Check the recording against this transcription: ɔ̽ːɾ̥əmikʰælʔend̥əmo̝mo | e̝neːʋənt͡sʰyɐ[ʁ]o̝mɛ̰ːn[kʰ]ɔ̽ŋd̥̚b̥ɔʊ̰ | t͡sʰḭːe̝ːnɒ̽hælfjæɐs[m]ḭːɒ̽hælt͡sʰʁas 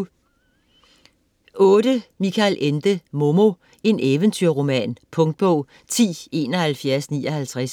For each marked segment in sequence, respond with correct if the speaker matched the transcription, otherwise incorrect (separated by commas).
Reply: correct, incorrect, incorrect